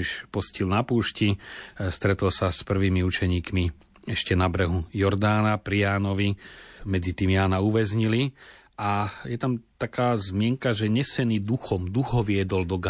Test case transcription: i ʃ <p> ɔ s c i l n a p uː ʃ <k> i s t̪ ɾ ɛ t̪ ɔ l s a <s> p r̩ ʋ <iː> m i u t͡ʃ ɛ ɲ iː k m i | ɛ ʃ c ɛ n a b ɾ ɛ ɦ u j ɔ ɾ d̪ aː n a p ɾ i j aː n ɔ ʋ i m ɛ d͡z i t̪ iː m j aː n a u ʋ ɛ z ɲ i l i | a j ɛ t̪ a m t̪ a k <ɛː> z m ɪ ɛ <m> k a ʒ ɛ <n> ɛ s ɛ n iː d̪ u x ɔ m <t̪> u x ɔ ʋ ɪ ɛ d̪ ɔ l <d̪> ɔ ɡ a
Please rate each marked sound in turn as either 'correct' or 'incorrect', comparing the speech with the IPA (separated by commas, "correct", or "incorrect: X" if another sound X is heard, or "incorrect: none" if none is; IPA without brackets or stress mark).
correct, incorrect: c, correct, correct, incorrect: aː, incorrect: ŋ, incorrect: ɲ, incorrect: d̪, correct